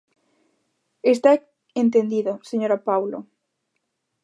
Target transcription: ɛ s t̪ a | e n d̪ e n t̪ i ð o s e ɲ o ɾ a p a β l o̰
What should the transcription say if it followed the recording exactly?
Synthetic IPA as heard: e s t̪ a | e n t̪ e n d̪ i ð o s e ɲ o ɾ a p a w l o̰